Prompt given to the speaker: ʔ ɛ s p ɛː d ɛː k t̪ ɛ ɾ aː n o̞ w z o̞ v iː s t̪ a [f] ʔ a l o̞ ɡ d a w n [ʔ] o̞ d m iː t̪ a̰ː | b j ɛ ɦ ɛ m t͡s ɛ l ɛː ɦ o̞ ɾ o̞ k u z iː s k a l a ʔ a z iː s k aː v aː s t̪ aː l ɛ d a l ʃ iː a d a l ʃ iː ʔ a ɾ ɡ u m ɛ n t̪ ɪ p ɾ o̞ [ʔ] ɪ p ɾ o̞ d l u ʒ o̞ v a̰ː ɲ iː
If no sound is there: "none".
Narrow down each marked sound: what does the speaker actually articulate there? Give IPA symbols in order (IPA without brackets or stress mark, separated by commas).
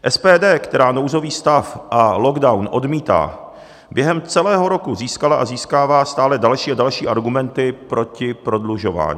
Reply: f, ʔ, c